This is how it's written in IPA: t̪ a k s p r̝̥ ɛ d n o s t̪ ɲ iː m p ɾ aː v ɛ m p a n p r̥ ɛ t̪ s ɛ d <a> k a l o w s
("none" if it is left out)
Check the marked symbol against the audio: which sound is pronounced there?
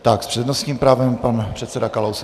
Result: a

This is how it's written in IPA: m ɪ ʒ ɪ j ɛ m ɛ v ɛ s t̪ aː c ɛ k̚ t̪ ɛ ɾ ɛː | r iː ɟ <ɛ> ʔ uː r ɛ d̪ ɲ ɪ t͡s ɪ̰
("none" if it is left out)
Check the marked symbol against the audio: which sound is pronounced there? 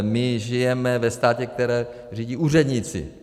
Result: i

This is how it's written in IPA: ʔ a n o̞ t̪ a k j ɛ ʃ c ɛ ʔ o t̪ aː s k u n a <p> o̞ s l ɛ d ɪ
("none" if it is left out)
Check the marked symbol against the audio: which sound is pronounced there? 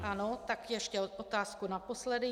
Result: p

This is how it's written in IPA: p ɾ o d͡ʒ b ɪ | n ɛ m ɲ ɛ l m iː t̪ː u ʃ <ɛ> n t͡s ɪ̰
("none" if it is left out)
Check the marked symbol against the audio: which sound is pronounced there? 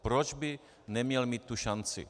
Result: a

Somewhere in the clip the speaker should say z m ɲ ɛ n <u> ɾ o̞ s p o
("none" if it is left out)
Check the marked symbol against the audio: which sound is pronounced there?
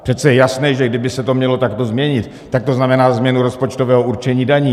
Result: u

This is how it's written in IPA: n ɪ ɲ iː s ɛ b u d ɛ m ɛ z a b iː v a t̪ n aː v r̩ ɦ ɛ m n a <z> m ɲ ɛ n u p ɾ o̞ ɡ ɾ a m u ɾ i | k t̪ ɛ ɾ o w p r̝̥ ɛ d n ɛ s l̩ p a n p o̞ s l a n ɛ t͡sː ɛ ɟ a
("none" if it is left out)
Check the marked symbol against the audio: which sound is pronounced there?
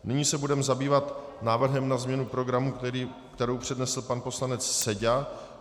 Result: z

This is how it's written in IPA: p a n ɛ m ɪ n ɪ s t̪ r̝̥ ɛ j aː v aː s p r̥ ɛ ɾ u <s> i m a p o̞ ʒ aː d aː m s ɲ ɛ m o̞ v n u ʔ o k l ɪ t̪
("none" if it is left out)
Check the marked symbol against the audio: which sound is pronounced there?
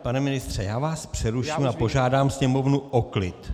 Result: ʃ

